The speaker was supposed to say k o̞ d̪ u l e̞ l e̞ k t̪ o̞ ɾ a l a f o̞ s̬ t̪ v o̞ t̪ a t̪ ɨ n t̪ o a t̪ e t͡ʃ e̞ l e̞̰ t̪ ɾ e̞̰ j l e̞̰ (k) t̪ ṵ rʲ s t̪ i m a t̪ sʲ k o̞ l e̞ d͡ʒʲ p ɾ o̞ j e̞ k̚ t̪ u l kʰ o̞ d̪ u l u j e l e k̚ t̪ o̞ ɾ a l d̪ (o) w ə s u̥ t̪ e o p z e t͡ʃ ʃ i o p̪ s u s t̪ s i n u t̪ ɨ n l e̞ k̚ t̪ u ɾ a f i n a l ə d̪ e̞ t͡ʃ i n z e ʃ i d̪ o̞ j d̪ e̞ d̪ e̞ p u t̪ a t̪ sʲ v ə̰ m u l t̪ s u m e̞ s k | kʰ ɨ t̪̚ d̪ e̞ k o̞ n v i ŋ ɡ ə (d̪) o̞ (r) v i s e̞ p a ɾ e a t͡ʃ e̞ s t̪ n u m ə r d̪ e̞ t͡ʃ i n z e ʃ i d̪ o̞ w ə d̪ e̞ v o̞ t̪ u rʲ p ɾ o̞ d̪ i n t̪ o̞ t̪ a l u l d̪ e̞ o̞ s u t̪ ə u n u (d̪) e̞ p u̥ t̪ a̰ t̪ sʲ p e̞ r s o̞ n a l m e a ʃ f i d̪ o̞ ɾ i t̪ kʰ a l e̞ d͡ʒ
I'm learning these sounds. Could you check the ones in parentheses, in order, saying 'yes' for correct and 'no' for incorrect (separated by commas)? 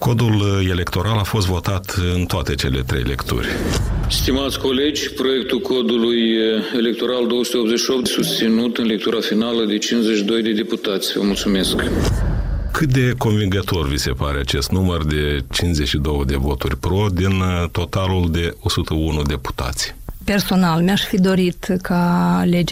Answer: yes, yes, no, yes, yes